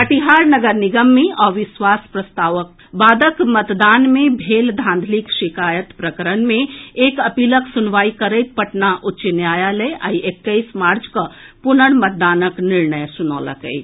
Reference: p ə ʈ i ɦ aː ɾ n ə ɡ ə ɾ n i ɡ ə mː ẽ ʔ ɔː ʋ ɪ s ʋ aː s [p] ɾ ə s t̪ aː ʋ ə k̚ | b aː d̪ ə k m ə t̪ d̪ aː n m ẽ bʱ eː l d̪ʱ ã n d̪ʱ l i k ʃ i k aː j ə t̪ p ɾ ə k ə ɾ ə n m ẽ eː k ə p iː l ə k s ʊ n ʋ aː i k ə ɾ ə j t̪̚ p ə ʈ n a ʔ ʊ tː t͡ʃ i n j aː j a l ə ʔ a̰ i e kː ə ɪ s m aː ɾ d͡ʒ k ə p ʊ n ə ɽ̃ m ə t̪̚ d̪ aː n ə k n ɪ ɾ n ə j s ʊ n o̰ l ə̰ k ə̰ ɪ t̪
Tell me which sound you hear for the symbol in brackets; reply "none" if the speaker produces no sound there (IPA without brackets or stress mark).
p